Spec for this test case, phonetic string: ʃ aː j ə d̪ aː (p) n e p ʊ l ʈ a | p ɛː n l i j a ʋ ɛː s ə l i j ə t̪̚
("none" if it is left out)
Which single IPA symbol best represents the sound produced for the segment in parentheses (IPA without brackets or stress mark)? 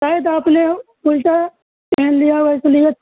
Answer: p